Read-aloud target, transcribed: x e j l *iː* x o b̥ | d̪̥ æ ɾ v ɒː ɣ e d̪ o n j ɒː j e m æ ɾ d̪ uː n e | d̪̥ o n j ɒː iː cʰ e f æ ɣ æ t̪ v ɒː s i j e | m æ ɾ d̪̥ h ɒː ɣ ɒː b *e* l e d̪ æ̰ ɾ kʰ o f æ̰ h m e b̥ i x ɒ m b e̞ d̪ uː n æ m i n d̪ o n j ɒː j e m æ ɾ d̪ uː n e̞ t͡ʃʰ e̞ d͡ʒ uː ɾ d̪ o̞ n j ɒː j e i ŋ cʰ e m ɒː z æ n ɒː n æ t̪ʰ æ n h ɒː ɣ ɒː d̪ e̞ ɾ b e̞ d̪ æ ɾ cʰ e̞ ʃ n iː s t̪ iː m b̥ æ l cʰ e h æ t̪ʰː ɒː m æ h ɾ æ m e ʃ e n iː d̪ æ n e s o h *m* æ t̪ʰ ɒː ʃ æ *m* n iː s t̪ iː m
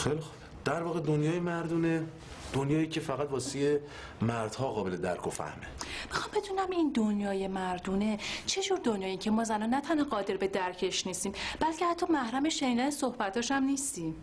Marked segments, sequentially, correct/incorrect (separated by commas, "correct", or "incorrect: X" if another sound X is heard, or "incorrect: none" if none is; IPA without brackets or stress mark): incorrect: i, correct, incorrect: b, correct